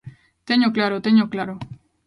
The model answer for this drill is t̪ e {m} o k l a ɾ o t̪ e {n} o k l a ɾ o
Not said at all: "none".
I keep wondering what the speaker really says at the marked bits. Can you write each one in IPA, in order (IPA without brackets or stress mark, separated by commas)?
ɲ, ɲ